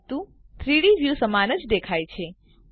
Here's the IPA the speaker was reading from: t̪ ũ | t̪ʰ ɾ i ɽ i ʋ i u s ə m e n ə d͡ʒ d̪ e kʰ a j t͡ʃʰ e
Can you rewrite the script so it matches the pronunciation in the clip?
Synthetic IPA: t̪ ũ | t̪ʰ ɾ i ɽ i ʋ j u s ə m a n ə d͡ʒ d̪ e kʰ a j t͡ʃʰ e